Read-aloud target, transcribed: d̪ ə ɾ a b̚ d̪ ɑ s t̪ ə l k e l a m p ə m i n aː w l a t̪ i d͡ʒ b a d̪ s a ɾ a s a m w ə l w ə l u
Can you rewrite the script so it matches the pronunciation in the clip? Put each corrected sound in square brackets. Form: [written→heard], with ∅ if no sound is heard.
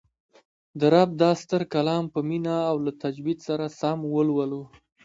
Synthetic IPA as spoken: d̪ ə ɾ a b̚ d̪ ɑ s t̪ ə [l→ɾ] k [e→a] l [a→ɑ] m p ə m i n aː w l a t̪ [i→a] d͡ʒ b [a→i] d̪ s a ɾ a s a m w ə l w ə l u